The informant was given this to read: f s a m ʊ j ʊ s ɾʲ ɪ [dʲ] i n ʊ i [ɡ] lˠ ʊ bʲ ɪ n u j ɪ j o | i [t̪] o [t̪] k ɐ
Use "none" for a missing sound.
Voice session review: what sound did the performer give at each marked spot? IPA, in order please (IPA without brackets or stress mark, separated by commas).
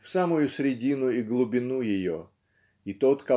dʲ, ɡ, t̪, t̪